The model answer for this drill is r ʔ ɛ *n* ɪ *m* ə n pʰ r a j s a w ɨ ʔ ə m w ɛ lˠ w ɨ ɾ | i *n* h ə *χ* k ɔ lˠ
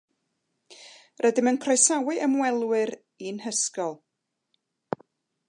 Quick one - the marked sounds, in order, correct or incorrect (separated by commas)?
incorrect, correct, correct, incorrect